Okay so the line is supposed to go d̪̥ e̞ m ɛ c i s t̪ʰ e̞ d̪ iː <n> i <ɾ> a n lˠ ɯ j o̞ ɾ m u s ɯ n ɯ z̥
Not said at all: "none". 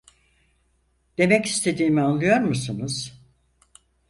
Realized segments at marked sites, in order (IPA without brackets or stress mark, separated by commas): m, none